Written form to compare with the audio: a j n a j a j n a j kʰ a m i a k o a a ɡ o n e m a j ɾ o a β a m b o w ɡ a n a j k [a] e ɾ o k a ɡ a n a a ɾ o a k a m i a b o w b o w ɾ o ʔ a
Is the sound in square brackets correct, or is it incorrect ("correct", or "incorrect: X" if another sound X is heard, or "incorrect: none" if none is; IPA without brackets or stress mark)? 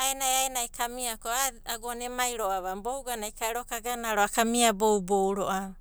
correct